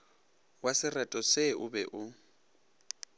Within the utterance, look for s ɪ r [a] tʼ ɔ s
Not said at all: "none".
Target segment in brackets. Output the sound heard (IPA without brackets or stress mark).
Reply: ɛ